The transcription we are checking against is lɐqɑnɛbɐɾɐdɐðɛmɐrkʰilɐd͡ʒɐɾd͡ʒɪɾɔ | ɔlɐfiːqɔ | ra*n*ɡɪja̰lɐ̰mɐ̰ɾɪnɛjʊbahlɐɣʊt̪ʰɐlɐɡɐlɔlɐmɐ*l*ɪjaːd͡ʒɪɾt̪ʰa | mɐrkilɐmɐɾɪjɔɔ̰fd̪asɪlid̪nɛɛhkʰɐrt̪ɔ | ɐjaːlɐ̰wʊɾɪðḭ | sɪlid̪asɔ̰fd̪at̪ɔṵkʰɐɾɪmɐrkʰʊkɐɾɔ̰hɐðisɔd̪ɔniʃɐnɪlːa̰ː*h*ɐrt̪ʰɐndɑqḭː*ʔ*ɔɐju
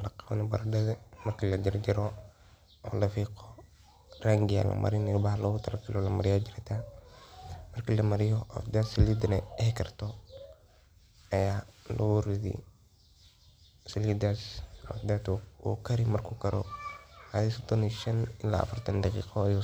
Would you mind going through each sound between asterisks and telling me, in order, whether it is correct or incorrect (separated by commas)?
incorrect, incorrect, incorrect, incorrect